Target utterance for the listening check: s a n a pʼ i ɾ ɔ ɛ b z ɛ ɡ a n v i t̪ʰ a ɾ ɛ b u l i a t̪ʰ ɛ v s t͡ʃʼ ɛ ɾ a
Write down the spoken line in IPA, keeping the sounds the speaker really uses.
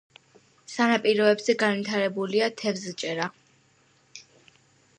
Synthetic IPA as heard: s a n a pʼ i ɾ ɔ ɛ b z ɛ ɡ a n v i t̪ʰ a ɾ ɛ b u l i a t̪ʰ ɛ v z t͡ʃʼ ɛ ɾ a